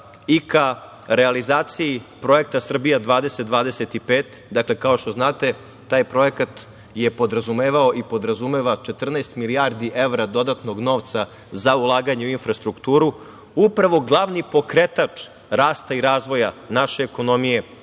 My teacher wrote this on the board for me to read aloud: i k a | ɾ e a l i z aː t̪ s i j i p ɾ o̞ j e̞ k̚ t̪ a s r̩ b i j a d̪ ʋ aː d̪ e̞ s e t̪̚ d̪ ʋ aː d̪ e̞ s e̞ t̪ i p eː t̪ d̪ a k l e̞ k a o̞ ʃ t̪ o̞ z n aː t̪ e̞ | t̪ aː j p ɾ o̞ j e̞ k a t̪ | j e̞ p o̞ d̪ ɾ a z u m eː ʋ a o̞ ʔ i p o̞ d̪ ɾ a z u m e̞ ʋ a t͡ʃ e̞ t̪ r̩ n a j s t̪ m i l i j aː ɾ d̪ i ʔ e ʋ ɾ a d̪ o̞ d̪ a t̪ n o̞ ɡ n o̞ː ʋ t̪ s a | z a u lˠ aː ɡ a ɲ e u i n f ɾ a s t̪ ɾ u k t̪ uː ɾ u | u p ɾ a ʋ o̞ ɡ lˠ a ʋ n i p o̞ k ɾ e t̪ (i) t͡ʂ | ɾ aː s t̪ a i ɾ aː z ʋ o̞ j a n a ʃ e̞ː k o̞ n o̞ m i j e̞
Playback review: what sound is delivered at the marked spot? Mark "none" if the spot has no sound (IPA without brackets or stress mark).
a